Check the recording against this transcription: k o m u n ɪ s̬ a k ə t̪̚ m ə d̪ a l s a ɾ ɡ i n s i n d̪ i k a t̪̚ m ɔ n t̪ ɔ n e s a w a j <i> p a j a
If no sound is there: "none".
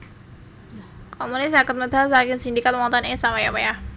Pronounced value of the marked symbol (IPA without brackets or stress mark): a